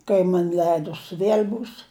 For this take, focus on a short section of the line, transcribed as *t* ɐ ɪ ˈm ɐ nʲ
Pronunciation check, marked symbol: incorrect: k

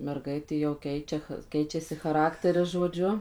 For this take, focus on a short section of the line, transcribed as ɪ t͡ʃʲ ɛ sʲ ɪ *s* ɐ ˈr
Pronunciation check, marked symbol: incorrect: x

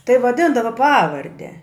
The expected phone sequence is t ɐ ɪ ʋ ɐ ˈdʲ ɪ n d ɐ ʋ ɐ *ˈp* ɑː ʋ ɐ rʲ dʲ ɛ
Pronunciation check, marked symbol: correct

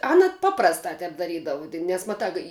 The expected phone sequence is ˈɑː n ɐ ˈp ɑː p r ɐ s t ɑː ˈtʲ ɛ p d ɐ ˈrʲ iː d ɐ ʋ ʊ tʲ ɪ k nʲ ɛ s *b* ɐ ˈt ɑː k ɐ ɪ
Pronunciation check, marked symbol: incorrect: m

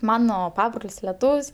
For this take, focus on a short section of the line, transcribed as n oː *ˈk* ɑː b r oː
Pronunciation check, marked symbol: incorrect: p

